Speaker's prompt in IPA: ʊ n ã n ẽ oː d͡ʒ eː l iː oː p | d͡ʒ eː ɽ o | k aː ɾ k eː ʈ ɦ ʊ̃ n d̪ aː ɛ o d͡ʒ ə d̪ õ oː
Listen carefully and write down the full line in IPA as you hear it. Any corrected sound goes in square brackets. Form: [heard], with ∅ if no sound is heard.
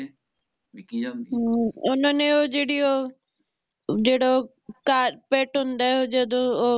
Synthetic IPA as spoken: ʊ n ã n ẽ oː d͡ʒ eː [ɽ] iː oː [∅] | d͡ʒ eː ɽ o | k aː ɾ [p] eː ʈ ɦ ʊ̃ n d̪ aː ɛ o d͡ʒ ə d̪ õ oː

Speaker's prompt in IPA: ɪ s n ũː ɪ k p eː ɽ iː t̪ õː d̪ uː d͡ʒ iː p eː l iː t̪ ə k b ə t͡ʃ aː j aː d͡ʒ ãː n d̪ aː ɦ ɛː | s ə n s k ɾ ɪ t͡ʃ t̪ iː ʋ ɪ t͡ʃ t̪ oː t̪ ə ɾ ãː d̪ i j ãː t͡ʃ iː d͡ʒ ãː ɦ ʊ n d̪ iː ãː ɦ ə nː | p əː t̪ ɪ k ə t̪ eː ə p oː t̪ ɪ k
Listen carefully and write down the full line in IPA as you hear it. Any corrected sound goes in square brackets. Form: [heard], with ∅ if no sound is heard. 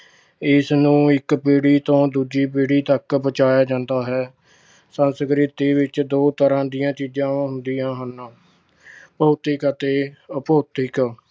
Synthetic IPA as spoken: ɪ s n ũː ɪ k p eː ɽ iː t̪ õː d̪ uː d͡ʒ iː p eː [ɽ] iː t̪ ə k b ə t͡ʃ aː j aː d͡ʒ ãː n d̪ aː ɦ ɛː | s ə n s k ɾ ɪ [∅] t̪ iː ʋ ɪ t͡ʃ [d̪] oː t̪ ə ɾ ãː d̪ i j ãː t͡ʃ iː d͡ʒ ãː ɦ ʊ n d̪ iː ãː ɦ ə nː | p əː t̪ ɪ k ə t̪ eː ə p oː t̪ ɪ k

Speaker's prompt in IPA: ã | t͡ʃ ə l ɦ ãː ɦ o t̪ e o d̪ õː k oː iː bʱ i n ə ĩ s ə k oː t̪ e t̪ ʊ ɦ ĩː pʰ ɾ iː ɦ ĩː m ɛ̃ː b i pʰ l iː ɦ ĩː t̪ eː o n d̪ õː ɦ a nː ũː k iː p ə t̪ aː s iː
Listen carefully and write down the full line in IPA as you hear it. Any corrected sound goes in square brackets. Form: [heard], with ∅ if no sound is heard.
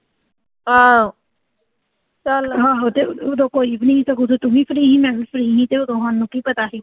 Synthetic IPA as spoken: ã | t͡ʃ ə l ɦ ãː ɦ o t̪ e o d̪ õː k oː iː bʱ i n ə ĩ s ə k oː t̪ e t̪ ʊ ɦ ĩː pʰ ɾ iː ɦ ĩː m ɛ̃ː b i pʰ [ɾ] iː ɦ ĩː t̪ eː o [∅] d̪ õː ɦ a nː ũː k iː p ə t̪ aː s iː

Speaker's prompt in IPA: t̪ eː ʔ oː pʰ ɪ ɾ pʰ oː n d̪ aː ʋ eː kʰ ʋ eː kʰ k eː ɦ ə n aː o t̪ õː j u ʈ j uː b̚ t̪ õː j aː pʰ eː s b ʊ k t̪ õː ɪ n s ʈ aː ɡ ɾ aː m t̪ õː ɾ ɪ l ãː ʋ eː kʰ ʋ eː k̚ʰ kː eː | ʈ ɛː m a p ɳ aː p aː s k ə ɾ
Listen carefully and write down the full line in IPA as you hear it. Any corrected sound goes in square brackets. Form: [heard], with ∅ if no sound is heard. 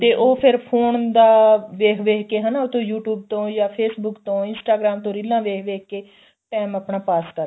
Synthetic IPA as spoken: t̪ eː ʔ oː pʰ ɪ ɾ pʰ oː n d̪ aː ʋ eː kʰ ʋ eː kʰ k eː ɦ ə n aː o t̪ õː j [uː] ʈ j uː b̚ t̪ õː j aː pʰ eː s b ʊ k t̪ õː ɪ n s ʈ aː ɡ ɾ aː m t̪ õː ɾ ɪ l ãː ʋ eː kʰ ʋ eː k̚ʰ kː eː | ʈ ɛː m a p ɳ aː p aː s k ə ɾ

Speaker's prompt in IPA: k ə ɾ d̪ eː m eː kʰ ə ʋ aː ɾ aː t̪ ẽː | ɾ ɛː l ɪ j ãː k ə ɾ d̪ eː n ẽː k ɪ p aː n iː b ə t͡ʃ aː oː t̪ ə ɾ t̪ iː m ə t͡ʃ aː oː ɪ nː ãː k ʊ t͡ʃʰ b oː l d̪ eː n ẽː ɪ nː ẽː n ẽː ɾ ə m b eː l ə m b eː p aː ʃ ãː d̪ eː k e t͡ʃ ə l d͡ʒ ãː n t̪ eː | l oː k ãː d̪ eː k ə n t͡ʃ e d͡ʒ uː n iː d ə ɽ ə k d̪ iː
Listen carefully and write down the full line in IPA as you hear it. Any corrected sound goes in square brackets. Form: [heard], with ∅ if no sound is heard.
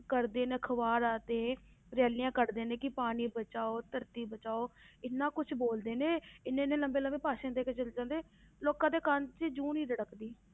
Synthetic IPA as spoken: k ə ɾ d̪ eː [n] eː kʰ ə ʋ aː ɾ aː t̪ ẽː | ɾ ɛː l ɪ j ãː k ə ɾ d̪ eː n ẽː k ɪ p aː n iː b ə t͡ʃ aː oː t̪ ə ɾ t̪ iː [b] ə t͡ʃ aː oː ɪ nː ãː k ʊ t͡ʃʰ b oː l d̪ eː n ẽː ɪ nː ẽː n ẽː [l] ə m b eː l ə m b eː p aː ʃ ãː d̪ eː k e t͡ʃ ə l d͡ʒ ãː n [d̪] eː | l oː k ãː d̪ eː k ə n t͡ʃ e d͡ʒ uː n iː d ə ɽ ə k d̪ iː

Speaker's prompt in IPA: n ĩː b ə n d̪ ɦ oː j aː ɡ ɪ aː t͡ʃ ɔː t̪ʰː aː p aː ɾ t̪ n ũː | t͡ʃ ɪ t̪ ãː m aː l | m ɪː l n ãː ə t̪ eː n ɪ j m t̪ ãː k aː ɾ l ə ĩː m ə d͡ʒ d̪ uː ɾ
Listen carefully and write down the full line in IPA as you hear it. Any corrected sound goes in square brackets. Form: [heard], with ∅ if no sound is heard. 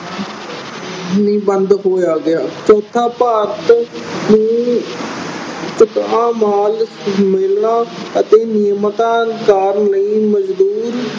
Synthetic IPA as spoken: n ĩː b ə n d̪ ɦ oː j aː ɡ ɪ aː t͡ʃ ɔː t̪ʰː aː p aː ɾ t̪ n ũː | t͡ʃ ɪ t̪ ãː m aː l | m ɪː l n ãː ə t̪ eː n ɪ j m t̪ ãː k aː ɾ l ə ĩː m ə d͡ʒ d̪ uː ɾ

